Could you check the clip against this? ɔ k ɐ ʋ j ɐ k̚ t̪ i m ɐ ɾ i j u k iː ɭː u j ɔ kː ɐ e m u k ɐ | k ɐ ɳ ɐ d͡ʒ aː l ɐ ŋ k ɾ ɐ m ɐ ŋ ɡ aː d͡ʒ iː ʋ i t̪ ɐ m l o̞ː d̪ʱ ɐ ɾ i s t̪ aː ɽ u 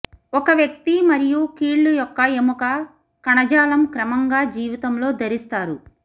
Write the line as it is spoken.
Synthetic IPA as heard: ɔ k ɐ ʋ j ɐ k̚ t̪ i m ɐ ɾ i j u k iː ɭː u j ɔ kː ɐ e m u k ɐ | k ɐ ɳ ɐ d͡ʒ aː l ɐ m k ɾ ɐ m ɐ ŋ ɡ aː d͡ʒ iː ʋ i t̪ ɐ m l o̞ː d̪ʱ ɐ ɾ i s t̪ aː ɾ u